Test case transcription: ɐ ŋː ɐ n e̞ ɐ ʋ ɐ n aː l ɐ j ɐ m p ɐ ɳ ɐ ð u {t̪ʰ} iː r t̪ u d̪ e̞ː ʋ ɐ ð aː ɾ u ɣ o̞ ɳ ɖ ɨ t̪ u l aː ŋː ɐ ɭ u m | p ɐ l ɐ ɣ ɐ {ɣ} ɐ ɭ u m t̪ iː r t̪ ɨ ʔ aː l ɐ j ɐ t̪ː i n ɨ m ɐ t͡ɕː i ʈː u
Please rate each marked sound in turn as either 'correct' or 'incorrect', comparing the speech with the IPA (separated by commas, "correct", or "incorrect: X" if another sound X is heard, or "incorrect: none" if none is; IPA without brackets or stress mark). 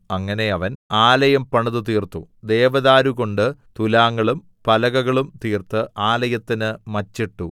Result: incorrect: t̪, correct